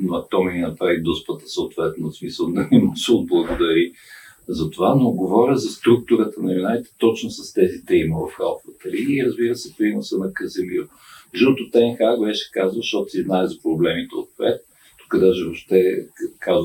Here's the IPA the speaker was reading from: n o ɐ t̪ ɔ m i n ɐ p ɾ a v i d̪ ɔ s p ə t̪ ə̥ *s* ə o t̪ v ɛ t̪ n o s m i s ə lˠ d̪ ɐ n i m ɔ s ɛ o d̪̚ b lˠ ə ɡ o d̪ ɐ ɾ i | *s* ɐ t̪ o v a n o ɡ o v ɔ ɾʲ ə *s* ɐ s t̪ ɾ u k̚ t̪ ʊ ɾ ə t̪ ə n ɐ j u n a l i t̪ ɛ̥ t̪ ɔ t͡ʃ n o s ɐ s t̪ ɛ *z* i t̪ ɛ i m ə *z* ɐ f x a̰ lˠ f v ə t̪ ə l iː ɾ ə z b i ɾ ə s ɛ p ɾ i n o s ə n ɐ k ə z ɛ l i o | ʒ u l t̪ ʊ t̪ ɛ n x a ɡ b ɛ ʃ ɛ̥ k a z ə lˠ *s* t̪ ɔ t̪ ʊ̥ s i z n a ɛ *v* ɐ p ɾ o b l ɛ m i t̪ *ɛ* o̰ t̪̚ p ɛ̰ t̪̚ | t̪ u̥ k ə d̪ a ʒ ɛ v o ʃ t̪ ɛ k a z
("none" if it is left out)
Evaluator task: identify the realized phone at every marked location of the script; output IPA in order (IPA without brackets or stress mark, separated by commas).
s, z, z, z, v, ʃ, z, ɛ